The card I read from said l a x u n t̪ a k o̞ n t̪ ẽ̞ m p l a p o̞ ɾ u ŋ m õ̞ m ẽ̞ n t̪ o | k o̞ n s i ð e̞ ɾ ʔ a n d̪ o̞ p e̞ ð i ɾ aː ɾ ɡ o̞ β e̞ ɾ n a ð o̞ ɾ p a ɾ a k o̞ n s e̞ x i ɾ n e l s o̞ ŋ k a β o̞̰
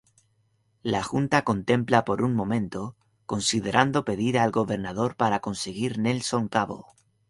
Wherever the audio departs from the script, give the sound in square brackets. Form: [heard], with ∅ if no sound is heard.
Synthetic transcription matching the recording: l a x u n t̪ a k o̞ n t̪ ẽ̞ m p l a p o̞ ɾ u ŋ m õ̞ m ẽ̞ n t̪ o | k o̞ n s i ð e̞ ɾ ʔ a n d̪ o̞ p e̞ ð i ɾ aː [l] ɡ o̞ β e̞ ɾ n a ð o̞ ɾ p a ɾ a k o̞ n s e̞ [ɣ] i ɾ n e l s o̞ ŋ k a β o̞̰